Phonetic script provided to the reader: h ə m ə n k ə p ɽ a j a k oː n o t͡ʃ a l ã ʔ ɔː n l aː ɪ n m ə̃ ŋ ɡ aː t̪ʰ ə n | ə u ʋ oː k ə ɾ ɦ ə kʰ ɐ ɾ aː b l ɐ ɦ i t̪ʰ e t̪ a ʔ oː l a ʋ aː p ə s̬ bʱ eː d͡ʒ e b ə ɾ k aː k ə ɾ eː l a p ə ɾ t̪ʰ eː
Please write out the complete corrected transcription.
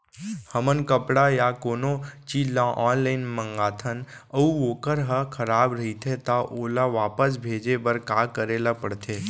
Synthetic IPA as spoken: h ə m ə n k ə p ɽ a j a k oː n o t͡ʃ i l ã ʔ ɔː n l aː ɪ n m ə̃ ŋ ɡ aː t̪ʰ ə n | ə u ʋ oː k ə ɾ ɦ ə kʰ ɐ ɾ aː b ɾ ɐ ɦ i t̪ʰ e t̪ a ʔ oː l a ʋ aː p ə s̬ bʱ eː d͡ʒ e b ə ɾ k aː k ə ɾ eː l a p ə ɽ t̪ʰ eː

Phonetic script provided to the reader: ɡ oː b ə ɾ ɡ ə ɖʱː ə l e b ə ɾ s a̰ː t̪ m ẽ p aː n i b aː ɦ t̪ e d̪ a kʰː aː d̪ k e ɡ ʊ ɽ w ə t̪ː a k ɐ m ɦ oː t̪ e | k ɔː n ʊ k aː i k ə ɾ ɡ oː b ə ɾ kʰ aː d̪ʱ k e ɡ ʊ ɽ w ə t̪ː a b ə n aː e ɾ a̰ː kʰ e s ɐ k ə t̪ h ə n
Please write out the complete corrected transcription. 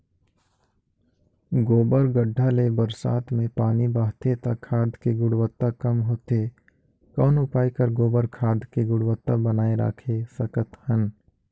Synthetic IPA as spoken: ɡ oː b ə ɾ ɡ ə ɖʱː a l e b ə ɾ s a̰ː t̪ m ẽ p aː n i b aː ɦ t̪ e t̪ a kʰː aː d̪ k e ɡ ʊ ɽ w ə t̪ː a k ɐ m ɦ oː t̪ e | k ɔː n ʊ p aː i k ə ɾ ɡ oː b ə ɾ kʰ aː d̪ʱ k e ɡ ʊ ɽ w ə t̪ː a b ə n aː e ɾ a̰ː kʰ e s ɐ k ə t̪ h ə n

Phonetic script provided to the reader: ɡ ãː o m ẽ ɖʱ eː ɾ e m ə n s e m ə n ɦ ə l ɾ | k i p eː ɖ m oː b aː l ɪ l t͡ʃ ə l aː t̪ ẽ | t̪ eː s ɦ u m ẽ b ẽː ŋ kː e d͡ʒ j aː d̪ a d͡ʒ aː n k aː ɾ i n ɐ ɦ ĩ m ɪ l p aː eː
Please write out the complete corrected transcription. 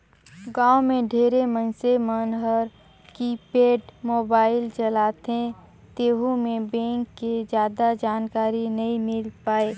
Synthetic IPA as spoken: ɡ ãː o m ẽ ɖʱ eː ɾ e m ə n s e m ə n ɦ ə ɾ | k i p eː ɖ m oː b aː ɪ l t͡ʃ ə l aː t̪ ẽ | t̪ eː ɦ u m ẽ b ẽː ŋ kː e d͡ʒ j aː d̪ a d͡ʒ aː n k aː ɾ i n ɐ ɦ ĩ m ɪ l p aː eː

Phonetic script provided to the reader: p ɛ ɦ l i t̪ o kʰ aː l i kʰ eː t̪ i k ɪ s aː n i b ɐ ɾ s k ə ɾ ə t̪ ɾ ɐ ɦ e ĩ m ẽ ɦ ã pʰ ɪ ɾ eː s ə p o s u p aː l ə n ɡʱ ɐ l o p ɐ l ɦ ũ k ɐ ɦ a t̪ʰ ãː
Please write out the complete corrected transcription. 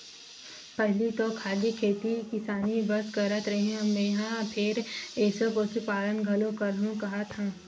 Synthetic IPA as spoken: p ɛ ɦ l i t̪ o kʰ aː l i kʰ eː t̪ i k ɪ s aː n i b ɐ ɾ s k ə ɾ ə t̪ ɾ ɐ ɦ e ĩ m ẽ ɦ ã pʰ ɪ ɾ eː s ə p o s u p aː l ə n ɡʱ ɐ l o k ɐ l ɦ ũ k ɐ ɦ a t̪ʰ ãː

